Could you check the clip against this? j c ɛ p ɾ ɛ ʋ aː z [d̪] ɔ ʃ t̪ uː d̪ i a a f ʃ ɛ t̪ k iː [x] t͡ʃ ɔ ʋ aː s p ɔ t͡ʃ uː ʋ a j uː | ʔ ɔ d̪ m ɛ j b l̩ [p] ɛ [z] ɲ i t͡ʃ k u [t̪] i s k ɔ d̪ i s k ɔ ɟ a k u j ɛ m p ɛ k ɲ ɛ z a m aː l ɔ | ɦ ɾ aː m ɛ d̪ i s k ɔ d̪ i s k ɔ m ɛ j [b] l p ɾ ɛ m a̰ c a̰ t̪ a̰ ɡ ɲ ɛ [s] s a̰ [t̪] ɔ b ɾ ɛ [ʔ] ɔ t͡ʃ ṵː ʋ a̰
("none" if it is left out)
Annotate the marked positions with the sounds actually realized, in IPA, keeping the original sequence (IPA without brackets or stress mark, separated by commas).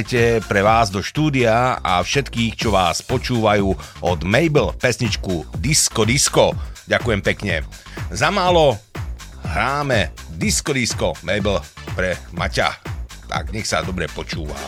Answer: d̪, x, p, s, d̪, b, x, d̪, p